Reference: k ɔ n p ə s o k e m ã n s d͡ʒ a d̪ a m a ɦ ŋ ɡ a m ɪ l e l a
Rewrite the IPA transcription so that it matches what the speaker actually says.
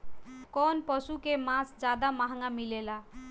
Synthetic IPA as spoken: k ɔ n p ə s u k e m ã s d͡ʒ a d̪ a m a ɦ ŋ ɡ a m i l e l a